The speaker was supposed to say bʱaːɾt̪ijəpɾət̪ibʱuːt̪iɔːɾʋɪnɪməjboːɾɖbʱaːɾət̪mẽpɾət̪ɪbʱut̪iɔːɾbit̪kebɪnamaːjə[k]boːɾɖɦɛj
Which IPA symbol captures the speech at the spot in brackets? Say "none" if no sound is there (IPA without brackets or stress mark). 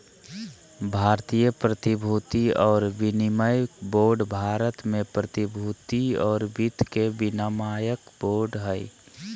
k